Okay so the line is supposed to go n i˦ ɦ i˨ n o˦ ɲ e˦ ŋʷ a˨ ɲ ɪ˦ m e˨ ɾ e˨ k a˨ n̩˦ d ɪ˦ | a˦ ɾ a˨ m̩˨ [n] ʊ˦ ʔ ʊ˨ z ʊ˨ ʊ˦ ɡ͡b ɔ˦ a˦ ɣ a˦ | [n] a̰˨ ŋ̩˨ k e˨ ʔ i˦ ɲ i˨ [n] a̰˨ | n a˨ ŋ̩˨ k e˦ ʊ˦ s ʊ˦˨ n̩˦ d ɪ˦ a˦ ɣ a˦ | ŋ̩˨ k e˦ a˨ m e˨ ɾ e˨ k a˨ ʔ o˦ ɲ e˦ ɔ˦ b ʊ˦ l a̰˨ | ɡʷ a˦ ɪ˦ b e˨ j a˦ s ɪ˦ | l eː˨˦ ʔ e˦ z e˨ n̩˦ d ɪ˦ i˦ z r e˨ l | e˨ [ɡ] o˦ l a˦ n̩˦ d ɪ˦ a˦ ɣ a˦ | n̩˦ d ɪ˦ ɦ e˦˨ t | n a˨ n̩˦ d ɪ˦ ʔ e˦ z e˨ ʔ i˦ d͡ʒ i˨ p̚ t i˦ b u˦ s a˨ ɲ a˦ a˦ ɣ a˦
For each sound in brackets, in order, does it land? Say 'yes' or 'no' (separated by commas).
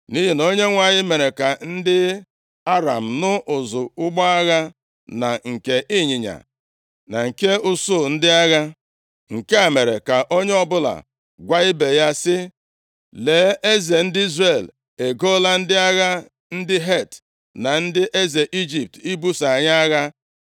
yes, yes, no, yes